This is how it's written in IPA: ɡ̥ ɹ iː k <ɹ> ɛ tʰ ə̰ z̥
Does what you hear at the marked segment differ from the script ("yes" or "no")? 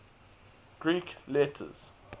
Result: yes